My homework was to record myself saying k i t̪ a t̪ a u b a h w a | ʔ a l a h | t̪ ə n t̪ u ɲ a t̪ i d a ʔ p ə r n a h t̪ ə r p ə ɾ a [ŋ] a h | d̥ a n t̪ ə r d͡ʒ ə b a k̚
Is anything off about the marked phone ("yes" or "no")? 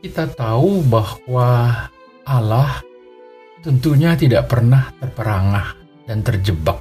no